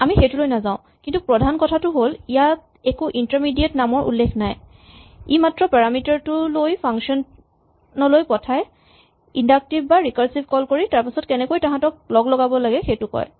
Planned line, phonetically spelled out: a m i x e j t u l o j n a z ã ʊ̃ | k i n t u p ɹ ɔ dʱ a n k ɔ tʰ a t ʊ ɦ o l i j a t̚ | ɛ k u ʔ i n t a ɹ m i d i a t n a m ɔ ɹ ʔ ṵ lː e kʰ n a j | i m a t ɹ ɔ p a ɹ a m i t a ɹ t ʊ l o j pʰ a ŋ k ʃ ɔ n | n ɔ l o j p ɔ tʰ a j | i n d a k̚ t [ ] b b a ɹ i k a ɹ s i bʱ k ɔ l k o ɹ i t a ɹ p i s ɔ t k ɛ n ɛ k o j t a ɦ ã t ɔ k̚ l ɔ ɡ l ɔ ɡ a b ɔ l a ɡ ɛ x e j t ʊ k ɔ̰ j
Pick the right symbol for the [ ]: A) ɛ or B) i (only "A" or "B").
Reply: B